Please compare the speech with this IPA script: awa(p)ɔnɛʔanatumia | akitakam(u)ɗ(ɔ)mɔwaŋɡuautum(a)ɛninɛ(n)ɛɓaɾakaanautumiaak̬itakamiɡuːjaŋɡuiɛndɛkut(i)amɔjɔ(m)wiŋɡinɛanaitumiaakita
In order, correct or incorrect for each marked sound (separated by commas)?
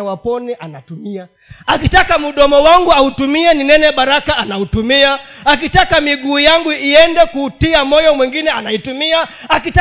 correct, correct, correct, incorrect, correct, correct, correct